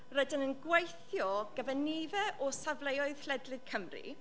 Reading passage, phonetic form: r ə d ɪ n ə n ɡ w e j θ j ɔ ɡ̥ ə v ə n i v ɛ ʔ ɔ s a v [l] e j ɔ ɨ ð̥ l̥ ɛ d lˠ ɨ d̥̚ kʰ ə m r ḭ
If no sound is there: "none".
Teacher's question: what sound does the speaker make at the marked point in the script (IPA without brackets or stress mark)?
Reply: l